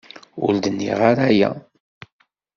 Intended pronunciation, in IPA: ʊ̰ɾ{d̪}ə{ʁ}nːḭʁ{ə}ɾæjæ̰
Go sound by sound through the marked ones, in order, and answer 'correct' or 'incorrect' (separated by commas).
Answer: correct, incorrect, incorrect